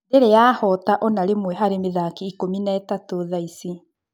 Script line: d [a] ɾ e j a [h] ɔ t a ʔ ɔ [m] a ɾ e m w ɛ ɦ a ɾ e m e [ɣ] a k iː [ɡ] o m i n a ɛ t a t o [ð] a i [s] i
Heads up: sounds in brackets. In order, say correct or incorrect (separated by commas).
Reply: incorrect, correct, incorrect, incorrect, incorrect, correct, correct